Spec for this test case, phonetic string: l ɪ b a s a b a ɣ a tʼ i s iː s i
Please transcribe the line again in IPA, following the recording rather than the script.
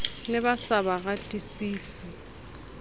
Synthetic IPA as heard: l ɪ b a s a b a ɣ a tʼ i s iː s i